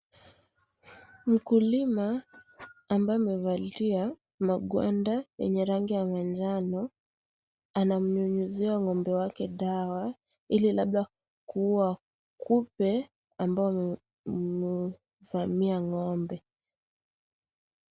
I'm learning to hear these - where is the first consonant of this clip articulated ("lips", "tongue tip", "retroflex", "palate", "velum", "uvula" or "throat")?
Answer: lips